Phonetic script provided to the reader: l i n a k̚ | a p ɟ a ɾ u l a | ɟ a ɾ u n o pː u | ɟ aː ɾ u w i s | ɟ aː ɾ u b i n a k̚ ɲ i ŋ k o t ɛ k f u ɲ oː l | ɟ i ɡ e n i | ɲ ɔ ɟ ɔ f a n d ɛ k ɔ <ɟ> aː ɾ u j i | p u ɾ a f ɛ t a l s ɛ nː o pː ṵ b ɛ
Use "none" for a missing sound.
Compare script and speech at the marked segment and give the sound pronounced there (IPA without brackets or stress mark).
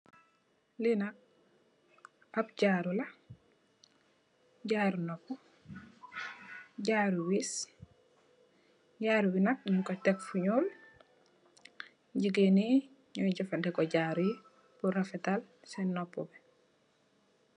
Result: ɟ